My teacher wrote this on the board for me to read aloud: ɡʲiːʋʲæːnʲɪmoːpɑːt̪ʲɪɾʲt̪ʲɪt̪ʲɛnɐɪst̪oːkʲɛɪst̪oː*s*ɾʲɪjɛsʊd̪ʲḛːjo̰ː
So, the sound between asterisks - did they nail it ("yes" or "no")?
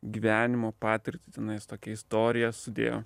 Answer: no